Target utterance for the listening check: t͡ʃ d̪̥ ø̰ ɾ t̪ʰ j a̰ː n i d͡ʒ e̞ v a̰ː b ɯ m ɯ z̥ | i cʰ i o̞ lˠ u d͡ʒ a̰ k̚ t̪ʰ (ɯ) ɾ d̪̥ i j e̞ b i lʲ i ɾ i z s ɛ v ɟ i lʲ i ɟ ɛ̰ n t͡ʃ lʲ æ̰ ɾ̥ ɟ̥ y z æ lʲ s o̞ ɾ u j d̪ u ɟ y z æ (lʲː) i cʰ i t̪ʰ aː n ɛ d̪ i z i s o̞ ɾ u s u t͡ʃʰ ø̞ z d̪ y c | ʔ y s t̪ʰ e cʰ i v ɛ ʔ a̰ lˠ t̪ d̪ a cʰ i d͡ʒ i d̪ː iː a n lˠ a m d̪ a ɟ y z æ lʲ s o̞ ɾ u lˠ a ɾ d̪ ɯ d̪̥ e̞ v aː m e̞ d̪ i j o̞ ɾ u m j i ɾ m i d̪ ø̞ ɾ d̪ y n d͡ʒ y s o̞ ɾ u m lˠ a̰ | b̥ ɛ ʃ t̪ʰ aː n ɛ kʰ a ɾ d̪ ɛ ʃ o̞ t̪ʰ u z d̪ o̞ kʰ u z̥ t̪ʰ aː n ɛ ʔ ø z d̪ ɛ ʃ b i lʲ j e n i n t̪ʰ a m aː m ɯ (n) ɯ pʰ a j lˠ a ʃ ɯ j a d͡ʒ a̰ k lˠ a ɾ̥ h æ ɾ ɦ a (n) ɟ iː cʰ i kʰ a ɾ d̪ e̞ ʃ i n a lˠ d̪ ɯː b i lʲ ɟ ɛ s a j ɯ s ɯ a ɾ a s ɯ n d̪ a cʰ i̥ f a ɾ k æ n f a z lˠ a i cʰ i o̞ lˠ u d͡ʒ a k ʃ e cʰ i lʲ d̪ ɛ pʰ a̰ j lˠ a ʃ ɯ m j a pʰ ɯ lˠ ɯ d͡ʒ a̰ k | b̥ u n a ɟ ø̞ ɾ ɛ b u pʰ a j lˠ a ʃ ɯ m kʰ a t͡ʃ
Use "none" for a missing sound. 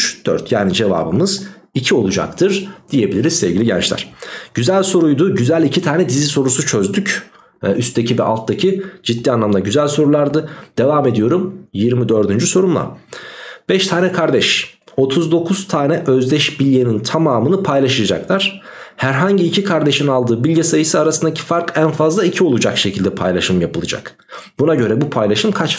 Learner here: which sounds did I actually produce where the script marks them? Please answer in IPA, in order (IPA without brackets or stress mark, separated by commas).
ɯ, lʲ, n, ɲ